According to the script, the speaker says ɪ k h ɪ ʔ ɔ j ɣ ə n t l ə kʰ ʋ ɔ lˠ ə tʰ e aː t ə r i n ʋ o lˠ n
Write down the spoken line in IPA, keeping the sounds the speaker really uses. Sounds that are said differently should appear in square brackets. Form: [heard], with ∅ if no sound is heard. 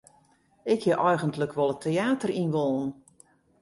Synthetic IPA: ɪ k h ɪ ʔ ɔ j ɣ ə n t l ə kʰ ʋ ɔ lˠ ə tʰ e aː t ə r i n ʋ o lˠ n